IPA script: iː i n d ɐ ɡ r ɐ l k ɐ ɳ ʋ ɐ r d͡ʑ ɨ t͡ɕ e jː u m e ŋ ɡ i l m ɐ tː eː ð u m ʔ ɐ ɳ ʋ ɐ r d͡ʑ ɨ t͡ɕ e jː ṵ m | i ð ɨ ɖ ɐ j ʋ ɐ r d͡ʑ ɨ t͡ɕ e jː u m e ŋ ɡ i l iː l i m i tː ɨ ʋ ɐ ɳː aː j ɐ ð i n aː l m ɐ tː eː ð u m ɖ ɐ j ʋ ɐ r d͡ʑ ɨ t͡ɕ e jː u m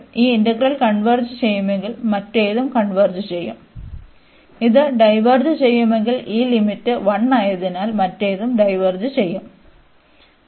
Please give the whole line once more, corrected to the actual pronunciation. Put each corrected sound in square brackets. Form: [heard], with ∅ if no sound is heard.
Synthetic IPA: iː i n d ɐ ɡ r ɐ l k ɐ ɳ ʋ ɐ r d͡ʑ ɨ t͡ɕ e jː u m e ŋ ɡ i l m ɐ tː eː ð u m [k] ɐ ɳ ʋ ɐ r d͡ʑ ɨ t͡ɕ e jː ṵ m | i ð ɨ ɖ ɐ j ʋ ɐ r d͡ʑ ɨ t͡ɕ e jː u m e ŋ ɡ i l iː l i m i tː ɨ ʋ ɐ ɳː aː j ɐ ð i n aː l m ɐ tː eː ð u m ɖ ɐ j ʋ ɐ r d͡ʑ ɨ t͡ɕ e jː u m